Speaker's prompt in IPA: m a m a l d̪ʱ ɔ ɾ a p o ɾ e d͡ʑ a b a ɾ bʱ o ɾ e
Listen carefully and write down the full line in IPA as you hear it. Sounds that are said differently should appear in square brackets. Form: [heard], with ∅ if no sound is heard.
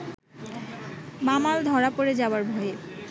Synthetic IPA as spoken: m a m a l d̪ʱ ɔ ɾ a p o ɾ e d͡ʑ a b a ɾ bʱ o [∅] e